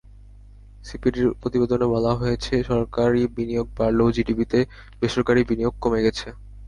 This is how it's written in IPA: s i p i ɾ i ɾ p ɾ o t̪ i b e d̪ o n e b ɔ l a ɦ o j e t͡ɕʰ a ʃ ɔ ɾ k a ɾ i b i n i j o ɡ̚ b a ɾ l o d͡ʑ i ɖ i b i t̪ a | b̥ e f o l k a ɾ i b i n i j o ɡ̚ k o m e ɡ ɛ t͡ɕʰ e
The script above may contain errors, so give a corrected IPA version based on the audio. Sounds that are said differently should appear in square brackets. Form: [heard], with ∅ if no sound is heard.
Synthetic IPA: s i p i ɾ i ɾ p ɾ o t̪ i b e d̪ o n e b ɔ l a ɦ o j e t͡ɕʰ [e] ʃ ɔ ɾ k a ɾ i b i n i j o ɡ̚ b a ɾ l o d͡ʑ i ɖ i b i t̪ [e] | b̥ e [ʃ] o [ɾ] k a ɾ i b i n i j o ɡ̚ k o m e ɡ ɛ t͡ɕʰ e